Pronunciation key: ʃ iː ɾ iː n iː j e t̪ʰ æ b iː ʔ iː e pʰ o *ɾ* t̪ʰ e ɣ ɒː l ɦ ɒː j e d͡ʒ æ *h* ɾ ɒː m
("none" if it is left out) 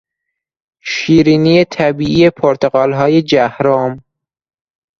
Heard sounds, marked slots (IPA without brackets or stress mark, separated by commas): ɾ, h